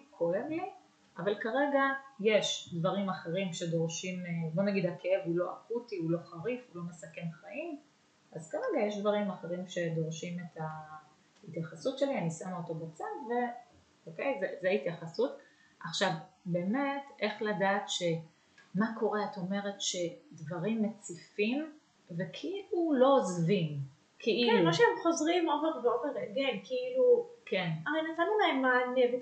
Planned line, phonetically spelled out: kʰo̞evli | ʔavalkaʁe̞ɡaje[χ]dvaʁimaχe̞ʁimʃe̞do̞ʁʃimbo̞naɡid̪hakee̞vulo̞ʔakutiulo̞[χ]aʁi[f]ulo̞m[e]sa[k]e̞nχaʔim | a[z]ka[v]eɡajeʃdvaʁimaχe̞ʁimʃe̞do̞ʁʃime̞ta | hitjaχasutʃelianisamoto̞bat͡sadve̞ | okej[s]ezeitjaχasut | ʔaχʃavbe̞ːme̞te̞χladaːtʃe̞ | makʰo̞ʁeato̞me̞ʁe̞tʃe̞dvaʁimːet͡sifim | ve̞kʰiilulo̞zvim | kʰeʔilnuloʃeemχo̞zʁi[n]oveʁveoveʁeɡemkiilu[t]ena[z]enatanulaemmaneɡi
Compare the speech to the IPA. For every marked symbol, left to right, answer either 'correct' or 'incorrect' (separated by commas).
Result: incorrect, correct, correct, correct, correct, correct, incorrect, incorrect, incorrect, incorrect, incorrect